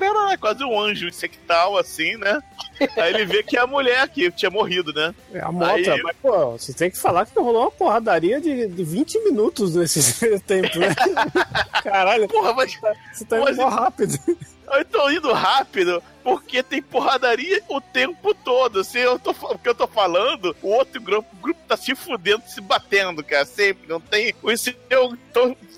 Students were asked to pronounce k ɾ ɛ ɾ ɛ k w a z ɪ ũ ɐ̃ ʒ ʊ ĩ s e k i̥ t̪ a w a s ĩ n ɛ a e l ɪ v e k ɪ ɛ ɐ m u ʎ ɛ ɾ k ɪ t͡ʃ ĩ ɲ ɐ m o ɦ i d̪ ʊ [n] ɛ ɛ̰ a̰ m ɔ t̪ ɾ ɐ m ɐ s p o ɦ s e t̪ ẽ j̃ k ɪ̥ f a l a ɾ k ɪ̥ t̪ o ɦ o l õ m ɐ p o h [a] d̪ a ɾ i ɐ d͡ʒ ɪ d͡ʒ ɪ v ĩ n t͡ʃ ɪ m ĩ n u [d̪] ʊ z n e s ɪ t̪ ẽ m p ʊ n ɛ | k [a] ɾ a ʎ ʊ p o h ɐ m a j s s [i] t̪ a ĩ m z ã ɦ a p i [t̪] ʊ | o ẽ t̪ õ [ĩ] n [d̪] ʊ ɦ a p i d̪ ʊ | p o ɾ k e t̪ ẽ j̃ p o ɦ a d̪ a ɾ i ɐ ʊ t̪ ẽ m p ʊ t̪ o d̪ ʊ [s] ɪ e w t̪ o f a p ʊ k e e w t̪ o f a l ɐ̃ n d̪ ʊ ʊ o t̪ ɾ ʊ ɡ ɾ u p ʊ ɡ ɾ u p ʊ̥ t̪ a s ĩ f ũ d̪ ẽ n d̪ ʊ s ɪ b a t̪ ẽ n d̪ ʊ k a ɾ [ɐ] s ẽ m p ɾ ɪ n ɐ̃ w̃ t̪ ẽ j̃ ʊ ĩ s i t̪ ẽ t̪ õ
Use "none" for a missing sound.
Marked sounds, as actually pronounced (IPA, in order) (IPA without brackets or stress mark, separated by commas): n, a, t̪, a, e, d̪, ĩ, d̪, s, ɐ